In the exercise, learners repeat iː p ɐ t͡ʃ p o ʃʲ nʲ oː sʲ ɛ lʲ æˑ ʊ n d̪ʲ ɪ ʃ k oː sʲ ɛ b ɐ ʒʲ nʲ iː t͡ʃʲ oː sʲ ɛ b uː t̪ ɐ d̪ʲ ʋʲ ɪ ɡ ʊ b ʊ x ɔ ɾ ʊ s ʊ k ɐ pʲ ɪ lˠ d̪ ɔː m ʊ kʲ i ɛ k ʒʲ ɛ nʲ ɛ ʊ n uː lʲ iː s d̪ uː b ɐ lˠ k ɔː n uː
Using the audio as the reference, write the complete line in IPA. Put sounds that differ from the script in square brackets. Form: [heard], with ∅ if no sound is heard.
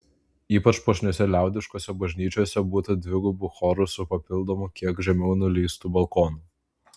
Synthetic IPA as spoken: iː p ɐ t͡ʃ p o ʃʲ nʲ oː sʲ ɛ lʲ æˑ ʊ [∅] d̪ʲ ɪ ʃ k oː sʲ ɛ b ɐ ʒʲ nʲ iː t͡ʃʲ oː sʲ ɛ b uː t̪ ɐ d̪ʲ ʋʲ ɪ ɡ ʊ b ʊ x ɔ ɾ ʊ s ʊ [p] ɐ pʲ ɪ lˠ d̪ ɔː m ʊ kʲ i ɛ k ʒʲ ɛ [mʲ] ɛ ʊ n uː lʲ iː s [t̪] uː b ɐ lˠ k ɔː n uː